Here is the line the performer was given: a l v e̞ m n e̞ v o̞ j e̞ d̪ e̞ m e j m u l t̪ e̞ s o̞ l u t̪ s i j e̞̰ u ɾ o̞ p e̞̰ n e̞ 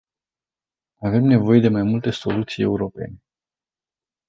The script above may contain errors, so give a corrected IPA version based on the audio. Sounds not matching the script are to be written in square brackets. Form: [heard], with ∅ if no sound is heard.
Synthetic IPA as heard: a [∅] v e̞ m n e̞ v o̞ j e̞ d̪ e̞ m [a] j m u l t̪ e̞ s o̞ l u t̪ s i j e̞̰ u ɾ o̞ p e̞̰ n e̞